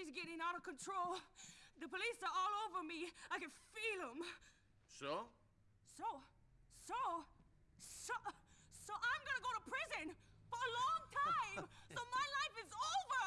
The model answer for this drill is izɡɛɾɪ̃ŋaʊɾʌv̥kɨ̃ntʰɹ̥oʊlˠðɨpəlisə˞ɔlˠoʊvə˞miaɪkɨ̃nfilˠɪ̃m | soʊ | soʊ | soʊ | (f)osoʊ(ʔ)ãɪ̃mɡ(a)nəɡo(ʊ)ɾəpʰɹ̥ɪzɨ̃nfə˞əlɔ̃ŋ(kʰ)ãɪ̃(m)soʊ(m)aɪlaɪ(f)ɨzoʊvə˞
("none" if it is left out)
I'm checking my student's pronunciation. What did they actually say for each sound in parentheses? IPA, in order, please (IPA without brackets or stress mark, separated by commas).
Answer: s, ʔ, ʌ, ʊ, tʰ, m, m, f